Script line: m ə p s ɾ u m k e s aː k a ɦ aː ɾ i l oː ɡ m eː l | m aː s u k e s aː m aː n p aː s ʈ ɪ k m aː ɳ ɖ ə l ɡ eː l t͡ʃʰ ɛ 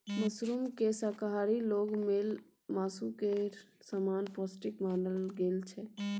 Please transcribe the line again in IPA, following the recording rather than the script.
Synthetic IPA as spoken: m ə s ɾ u m k e s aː k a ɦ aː ɾ i l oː ɡ m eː l | m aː s u k e s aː m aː n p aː s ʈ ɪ k m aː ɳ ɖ ə l ɡ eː l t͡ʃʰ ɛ